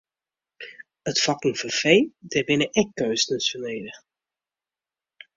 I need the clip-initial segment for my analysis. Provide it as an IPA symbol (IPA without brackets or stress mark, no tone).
ə